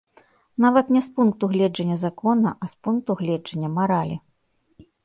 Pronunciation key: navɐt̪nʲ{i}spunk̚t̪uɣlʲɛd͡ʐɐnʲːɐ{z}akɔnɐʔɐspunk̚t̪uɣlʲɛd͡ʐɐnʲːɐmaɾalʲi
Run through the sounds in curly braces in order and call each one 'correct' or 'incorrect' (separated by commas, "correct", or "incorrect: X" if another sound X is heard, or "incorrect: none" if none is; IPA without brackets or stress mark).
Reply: incorrect: ɛ, correct